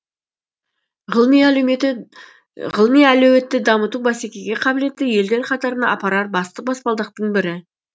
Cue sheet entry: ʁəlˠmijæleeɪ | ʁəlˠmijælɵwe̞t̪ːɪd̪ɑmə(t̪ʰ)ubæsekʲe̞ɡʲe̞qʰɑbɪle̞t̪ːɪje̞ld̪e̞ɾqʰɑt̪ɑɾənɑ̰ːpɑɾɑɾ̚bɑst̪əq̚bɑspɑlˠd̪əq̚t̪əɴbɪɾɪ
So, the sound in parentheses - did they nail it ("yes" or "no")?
no